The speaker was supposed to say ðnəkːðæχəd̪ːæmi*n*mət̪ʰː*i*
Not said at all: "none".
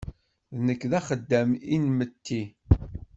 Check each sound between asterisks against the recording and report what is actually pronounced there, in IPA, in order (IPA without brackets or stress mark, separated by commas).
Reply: n, i